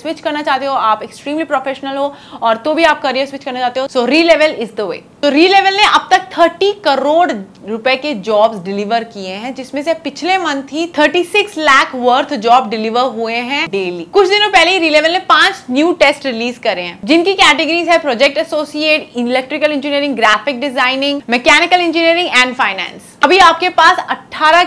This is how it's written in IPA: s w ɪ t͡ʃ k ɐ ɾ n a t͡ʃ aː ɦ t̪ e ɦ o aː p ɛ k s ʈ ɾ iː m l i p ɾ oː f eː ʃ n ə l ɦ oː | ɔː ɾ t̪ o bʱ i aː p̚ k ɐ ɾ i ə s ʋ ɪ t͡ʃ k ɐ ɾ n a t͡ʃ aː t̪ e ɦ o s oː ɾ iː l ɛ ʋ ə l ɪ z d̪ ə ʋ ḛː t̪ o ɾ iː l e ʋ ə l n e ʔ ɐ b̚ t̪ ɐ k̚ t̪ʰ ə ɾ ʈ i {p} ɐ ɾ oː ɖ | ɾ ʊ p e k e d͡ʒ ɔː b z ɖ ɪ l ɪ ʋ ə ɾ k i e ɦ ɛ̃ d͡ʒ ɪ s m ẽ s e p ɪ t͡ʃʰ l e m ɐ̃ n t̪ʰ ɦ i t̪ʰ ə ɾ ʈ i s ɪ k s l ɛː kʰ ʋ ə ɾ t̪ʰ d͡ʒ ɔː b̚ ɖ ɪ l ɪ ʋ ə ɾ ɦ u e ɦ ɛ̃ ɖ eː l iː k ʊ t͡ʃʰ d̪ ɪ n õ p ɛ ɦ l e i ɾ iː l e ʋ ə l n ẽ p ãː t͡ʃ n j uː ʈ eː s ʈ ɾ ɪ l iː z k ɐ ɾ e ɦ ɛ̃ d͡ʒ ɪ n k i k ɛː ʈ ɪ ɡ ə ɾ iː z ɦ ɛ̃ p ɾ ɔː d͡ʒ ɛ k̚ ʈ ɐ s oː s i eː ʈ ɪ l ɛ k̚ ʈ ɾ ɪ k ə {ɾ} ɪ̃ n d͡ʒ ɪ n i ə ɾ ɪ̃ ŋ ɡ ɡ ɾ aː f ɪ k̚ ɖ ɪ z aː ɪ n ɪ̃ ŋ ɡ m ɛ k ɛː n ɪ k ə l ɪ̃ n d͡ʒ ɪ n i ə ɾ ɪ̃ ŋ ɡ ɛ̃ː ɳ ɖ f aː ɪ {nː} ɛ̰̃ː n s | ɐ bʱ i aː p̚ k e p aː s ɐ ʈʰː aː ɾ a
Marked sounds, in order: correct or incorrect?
incorrect: k, incorrect: l, incorrect: n

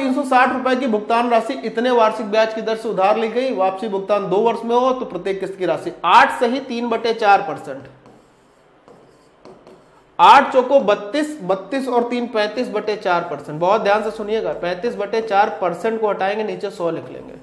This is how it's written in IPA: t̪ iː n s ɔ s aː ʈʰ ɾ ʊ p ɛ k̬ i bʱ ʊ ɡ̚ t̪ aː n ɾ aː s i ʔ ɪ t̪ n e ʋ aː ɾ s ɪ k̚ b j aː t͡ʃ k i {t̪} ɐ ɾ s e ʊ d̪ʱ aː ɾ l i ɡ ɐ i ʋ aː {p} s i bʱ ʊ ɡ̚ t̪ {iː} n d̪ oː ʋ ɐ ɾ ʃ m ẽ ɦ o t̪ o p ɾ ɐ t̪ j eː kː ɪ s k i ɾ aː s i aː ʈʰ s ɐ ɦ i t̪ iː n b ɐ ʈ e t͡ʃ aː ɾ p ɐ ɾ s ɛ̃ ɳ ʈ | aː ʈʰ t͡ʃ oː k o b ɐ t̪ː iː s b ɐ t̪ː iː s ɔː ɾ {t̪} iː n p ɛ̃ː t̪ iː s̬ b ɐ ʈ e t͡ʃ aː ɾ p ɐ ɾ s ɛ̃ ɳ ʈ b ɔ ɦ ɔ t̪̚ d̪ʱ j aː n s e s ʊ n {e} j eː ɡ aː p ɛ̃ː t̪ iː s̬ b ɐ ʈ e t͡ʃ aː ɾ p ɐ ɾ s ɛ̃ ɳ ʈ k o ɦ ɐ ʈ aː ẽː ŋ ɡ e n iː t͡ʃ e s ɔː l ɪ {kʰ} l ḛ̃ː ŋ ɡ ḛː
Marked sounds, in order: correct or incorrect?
incorrect: d̪, correct, incorrect: aː, correct, incorrect: i, correct

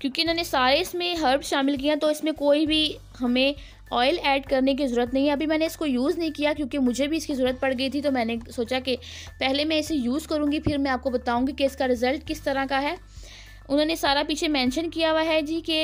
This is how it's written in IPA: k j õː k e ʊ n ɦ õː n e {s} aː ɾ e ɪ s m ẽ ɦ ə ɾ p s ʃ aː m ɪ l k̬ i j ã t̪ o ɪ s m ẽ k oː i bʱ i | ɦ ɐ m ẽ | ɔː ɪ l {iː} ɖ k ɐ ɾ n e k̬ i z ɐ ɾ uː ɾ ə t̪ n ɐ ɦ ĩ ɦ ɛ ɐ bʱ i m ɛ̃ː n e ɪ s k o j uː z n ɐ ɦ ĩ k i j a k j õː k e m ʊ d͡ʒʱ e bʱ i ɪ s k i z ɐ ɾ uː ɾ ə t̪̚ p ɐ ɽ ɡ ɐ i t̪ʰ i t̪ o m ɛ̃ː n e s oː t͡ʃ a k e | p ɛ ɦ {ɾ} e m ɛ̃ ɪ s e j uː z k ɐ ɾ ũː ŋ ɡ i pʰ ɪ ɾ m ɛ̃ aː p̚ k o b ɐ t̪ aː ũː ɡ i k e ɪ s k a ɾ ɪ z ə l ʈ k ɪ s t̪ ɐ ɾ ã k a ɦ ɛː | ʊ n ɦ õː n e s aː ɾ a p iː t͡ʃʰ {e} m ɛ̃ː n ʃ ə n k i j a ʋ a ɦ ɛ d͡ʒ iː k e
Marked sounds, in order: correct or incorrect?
correct, incorrect: ɛː, incorrect: l, correct

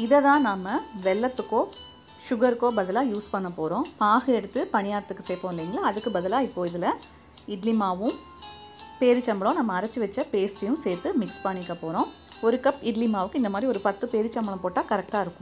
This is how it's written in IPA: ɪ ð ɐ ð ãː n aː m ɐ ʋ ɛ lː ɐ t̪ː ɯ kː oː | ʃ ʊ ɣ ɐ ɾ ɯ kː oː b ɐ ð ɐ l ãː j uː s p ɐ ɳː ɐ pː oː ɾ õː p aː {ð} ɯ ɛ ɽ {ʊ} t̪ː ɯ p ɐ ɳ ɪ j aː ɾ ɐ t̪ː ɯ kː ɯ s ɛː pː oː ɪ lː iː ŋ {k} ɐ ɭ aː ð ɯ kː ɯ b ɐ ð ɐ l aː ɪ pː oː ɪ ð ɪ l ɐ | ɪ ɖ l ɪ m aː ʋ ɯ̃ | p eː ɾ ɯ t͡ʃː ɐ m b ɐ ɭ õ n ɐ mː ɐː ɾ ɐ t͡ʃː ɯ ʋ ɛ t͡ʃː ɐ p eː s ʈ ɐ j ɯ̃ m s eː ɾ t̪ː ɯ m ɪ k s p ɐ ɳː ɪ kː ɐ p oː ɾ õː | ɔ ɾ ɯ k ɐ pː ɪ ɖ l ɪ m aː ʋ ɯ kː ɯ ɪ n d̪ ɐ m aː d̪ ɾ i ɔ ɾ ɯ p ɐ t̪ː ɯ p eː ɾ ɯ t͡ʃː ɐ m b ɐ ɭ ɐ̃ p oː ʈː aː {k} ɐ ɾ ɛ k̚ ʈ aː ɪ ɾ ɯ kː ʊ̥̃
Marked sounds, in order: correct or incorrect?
incorrect: ɣ, incorrect: ɯ, incorrect: ɡ, correct

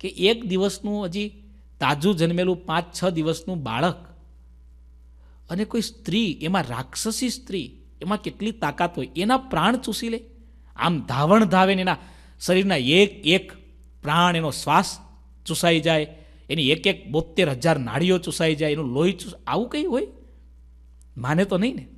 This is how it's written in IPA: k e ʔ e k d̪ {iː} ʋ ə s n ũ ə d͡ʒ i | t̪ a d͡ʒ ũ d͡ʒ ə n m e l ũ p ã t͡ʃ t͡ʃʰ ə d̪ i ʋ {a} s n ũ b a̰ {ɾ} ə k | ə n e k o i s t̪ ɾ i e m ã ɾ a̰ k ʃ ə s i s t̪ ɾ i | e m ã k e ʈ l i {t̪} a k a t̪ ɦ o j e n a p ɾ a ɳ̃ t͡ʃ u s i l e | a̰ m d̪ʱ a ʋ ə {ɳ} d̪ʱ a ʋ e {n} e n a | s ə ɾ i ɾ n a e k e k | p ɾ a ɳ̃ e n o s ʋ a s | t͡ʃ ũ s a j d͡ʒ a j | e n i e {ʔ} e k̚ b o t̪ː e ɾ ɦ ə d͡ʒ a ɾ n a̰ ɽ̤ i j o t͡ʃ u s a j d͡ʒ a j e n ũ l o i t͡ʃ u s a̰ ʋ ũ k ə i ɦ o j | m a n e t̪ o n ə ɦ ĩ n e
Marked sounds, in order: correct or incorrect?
incorrect: i, incorrect: ə, incorrect: ɭ, correct, correct, correct, incorrect: k

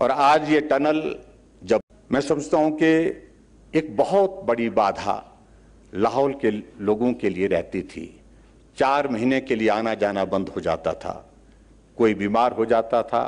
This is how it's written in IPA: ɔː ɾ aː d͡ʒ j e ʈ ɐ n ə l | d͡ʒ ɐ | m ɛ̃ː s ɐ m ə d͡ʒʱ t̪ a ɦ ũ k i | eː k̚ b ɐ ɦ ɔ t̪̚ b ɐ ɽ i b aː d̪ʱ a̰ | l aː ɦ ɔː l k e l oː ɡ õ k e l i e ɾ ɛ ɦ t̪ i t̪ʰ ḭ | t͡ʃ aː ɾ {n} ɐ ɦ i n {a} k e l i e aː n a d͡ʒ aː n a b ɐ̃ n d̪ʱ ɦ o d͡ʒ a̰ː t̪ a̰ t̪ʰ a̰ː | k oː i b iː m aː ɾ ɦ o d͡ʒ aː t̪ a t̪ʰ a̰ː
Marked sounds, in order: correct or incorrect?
incorrect: m, incorrect: e

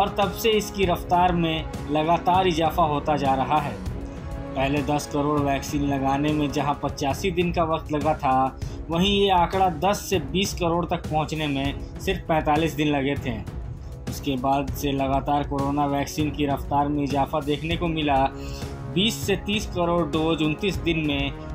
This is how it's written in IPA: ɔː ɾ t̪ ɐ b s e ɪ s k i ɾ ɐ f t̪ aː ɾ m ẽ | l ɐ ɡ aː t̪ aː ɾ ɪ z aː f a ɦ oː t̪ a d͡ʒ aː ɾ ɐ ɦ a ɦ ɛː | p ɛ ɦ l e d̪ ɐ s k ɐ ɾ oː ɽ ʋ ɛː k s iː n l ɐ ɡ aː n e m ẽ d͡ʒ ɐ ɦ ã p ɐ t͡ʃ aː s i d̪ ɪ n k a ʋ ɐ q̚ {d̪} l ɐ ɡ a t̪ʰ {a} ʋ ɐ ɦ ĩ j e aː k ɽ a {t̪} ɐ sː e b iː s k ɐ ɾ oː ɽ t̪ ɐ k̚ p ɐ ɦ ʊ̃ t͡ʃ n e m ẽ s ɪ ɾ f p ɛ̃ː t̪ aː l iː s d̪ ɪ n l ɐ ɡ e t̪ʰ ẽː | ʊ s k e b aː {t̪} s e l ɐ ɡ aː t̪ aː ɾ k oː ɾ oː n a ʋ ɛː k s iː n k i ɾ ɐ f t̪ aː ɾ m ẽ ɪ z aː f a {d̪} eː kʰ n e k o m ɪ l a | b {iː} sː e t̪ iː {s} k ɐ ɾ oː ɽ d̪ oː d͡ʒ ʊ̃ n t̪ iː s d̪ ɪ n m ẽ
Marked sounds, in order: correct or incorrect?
incorrect: t̪, correct, incorrect: d̪, incorrect: d̪, correct, correct, correct

